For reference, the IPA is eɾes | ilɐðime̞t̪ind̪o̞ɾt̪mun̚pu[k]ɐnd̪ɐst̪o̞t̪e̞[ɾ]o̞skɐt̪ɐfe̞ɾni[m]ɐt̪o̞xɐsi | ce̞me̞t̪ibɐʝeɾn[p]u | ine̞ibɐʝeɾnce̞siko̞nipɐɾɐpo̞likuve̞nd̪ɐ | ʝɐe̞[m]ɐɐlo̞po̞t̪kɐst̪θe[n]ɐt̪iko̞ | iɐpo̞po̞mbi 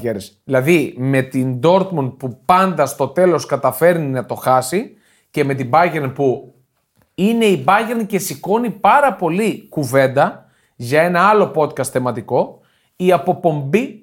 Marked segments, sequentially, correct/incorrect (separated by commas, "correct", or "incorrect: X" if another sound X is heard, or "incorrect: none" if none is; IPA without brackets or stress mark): incorrect: p, incorrect: l, incorrect: n, correct, incorrect: n, incorrect: m